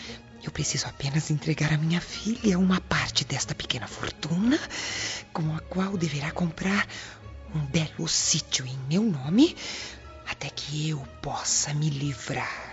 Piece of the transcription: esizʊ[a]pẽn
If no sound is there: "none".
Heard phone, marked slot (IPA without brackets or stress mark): a